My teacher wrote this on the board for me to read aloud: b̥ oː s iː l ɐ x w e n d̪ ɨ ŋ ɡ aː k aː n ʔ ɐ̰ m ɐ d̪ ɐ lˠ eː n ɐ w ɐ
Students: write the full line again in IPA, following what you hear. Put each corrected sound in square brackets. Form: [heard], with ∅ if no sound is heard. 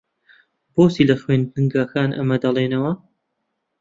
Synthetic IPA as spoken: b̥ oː s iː l ɐ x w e n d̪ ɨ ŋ ɡ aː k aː n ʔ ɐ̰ m ɐ d̪ ɐ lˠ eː n ɐ w ɐ